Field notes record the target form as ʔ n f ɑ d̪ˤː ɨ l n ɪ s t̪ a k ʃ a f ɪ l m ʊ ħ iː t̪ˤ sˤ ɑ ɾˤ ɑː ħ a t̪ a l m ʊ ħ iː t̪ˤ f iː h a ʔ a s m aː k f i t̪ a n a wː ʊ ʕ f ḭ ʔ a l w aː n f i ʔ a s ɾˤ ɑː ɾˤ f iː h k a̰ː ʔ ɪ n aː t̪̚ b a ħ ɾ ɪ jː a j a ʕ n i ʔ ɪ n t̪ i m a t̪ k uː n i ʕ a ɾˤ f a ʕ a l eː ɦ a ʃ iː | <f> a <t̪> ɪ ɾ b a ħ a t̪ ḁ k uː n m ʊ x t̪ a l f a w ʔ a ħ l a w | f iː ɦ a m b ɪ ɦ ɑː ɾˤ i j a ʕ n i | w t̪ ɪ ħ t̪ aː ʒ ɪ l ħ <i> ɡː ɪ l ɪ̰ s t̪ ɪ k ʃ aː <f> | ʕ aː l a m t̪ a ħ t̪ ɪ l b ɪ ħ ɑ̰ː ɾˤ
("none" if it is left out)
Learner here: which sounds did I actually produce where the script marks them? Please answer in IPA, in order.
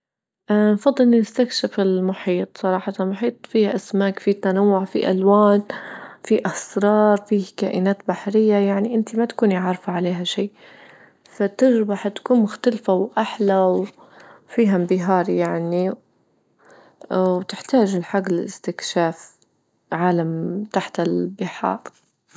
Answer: f, t̪, a, f

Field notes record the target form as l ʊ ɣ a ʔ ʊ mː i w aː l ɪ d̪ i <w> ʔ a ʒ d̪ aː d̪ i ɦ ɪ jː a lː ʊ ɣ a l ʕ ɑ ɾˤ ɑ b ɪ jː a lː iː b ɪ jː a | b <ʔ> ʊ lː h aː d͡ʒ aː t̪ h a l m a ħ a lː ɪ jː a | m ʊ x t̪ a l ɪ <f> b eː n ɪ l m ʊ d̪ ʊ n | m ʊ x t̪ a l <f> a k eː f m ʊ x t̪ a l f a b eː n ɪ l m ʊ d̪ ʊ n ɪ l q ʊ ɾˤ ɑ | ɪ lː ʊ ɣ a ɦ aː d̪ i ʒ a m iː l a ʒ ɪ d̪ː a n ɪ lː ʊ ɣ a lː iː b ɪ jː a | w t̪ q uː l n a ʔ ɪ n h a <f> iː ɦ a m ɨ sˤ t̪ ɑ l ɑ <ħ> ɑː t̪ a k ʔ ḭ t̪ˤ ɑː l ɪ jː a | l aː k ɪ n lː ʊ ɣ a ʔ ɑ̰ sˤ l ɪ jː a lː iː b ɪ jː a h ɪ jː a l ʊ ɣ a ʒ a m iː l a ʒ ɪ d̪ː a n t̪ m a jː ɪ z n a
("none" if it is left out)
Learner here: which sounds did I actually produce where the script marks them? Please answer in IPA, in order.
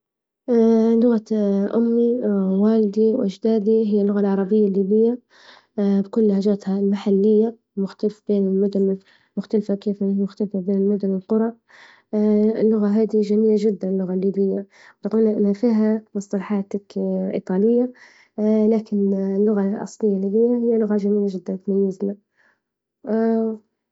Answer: w, k, f, f, f, ħ

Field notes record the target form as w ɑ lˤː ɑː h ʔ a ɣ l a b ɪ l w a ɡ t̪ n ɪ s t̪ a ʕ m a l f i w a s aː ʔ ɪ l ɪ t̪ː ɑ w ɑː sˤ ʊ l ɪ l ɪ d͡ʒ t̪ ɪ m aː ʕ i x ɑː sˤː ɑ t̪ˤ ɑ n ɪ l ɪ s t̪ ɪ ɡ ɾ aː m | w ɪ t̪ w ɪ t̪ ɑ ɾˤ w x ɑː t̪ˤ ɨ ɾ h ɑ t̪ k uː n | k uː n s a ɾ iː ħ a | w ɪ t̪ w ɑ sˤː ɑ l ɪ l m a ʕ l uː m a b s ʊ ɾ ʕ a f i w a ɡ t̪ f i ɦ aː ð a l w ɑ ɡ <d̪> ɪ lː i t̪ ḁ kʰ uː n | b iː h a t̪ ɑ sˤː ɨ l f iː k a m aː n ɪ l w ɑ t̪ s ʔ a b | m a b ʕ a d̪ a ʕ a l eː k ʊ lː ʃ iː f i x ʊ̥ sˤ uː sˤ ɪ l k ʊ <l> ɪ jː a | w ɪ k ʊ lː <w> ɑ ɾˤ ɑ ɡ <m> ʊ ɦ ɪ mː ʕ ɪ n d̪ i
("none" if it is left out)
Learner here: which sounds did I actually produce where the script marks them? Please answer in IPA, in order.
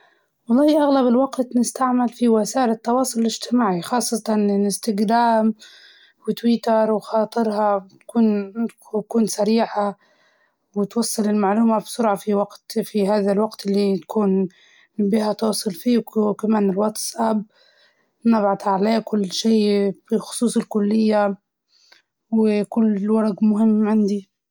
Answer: t̪, lː, w, m

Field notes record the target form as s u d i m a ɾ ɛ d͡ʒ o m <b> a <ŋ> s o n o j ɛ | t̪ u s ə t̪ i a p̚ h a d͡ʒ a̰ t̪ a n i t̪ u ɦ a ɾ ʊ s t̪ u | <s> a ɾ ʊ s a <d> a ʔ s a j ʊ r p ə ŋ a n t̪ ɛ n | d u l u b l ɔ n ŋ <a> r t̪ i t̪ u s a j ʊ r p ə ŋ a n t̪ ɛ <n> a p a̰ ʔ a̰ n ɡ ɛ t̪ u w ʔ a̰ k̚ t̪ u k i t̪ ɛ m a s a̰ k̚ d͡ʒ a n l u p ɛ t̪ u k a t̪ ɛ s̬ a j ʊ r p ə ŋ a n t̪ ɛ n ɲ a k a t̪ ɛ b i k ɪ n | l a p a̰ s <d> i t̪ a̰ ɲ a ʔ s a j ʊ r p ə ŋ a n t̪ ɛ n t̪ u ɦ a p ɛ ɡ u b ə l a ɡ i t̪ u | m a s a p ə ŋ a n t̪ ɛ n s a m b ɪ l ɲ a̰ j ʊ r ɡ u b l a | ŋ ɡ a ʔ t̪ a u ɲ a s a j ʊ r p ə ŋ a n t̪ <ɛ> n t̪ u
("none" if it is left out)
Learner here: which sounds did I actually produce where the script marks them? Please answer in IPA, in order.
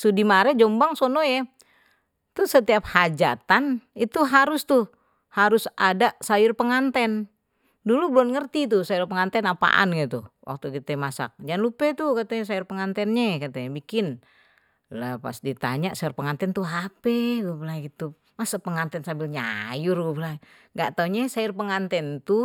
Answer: b, ŋ, h, d, ə, n, d, ɛ

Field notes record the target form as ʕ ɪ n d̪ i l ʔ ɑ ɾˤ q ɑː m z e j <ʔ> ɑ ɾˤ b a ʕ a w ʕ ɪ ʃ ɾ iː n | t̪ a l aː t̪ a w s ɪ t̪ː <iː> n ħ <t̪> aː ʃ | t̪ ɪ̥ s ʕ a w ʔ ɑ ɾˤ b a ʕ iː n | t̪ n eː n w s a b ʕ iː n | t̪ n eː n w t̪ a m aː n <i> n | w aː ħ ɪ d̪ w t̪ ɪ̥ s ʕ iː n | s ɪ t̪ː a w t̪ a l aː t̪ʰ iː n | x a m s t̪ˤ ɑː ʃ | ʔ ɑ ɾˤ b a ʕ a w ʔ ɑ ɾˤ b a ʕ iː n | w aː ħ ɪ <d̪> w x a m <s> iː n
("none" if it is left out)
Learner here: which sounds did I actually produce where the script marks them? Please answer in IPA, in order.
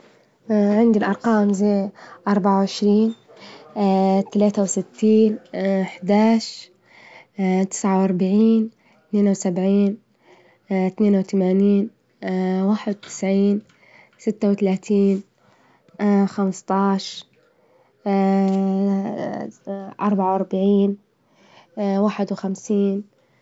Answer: ʔ, iː, d̪, iː, d̪, s

